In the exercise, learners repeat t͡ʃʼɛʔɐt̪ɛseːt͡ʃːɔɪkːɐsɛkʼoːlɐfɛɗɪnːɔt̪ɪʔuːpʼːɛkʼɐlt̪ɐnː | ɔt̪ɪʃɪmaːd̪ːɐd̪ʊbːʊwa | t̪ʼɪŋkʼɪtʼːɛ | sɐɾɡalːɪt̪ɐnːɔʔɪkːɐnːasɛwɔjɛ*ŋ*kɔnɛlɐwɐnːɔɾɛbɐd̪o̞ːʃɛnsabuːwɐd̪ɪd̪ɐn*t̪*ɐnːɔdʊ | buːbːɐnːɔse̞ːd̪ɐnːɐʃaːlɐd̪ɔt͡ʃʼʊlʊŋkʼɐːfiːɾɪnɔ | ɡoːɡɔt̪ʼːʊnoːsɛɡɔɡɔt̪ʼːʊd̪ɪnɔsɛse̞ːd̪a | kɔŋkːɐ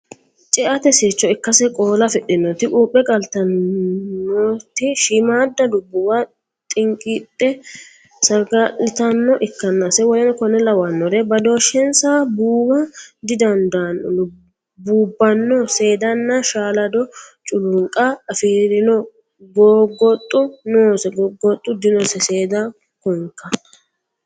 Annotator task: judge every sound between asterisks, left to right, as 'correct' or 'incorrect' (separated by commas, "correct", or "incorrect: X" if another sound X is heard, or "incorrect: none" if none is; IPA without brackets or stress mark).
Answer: incorrect: n, incorrect: d̪